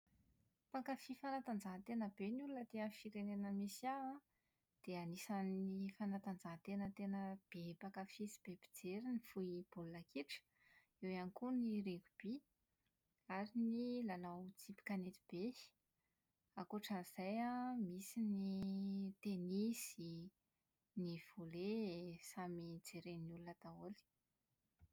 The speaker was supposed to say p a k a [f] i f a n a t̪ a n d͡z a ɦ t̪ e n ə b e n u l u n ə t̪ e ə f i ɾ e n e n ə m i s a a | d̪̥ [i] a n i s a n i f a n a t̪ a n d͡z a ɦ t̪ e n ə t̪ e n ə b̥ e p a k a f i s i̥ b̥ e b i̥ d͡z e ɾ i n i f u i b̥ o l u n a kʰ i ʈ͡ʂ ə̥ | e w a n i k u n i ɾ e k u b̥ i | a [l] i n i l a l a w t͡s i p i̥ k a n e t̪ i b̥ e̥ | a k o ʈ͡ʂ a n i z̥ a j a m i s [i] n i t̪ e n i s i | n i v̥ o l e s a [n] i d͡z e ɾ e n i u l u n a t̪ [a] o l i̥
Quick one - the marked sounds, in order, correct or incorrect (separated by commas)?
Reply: correct, incorrect, incorrect, correct, incorrect, correct